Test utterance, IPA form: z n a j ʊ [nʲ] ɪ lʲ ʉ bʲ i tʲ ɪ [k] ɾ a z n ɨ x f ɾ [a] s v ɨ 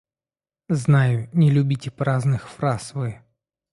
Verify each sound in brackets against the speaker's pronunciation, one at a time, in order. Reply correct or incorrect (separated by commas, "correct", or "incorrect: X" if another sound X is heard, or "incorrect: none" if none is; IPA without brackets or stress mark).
correct, incorrect: p, correct